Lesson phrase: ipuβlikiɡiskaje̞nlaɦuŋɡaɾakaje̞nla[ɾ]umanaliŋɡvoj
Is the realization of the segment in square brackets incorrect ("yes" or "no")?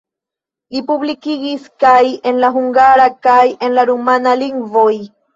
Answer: no